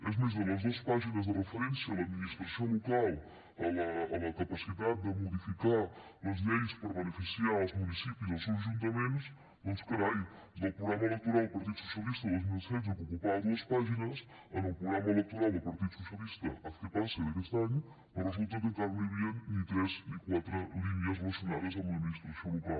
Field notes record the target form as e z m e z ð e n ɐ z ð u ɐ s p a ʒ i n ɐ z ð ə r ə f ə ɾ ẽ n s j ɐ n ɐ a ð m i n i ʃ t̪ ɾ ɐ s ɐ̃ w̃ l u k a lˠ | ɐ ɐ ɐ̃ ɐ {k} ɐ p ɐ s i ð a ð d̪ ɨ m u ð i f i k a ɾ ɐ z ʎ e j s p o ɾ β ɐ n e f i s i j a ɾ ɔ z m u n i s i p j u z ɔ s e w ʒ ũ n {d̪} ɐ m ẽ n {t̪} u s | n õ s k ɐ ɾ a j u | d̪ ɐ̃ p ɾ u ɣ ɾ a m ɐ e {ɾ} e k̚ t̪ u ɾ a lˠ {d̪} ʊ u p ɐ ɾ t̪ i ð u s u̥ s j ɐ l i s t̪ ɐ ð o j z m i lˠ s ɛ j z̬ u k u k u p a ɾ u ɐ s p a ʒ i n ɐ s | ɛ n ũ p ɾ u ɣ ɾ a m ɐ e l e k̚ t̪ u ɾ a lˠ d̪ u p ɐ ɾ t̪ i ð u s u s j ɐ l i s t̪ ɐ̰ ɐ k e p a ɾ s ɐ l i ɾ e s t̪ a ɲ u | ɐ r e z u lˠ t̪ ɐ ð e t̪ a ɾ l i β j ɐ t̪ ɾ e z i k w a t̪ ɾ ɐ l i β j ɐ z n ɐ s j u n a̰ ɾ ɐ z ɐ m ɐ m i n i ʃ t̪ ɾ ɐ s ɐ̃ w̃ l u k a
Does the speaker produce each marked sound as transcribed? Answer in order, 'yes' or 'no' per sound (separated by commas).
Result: yes, no, yes, no, yes